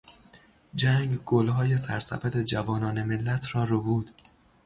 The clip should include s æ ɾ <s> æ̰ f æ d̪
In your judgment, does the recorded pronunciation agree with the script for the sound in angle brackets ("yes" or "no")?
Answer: yes